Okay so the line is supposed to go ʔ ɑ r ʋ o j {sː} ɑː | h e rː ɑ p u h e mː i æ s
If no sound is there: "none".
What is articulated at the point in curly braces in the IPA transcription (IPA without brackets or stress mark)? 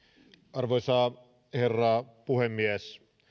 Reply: s